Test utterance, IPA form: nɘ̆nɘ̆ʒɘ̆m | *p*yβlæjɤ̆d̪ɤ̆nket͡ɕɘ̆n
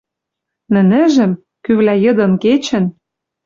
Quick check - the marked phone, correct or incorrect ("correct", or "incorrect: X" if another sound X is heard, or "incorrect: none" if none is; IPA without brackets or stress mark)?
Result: incorrect: k